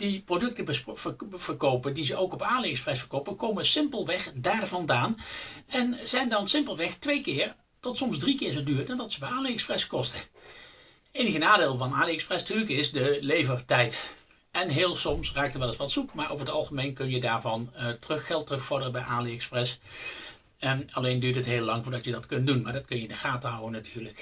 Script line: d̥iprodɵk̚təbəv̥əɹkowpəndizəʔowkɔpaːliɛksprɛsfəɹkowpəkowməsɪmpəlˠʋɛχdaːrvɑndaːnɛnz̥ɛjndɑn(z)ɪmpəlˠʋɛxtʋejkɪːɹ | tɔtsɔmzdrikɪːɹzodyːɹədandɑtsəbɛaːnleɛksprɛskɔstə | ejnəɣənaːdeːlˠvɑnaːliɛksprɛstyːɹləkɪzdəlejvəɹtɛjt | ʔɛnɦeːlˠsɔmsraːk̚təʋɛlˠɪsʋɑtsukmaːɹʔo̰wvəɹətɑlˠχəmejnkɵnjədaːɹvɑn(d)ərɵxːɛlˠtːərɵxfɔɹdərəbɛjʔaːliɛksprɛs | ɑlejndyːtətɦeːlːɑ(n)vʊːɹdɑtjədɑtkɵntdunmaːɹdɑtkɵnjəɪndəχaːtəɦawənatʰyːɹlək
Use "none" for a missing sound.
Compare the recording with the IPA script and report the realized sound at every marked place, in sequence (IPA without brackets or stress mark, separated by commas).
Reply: s, t, ŋ